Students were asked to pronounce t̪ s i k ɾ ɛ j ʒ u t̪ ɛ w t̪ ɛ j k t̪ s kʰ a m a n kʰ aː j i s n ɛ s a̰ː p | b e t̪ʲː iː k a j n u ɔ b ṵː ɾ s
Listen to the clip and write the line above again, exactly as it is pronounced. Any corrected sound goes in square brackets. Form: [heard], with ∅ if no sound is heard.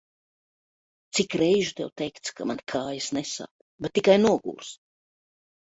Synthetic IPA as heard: t̪ s i k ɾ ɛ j ʒ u t̪ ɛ w t̪ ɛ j k t̪ s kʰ a m a n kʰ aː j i s n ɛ s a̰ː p | b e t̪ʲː [i] k a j n u ɔ [ɡ] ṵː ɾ s